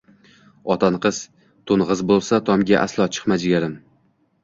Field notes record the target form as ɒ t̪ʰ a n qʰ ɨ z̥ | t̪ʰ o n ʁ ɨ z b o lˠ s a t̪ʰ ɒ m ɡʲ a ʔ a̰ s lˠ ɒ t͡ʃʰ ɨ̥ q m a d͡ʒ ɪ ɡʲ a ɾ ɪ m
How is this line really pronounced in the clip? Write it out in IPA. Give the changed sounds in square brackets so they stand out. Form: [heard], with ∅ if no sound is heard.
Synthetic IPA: ɒ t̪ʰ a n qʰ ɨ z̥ | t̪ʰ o n ʁ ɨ z b o lˠ s a t̪ʰ ɒ m ɡʲ a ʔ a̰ s lˠ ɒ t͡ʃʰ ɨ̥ q m a d͡ʒ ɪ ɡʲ a ɾ ɪ m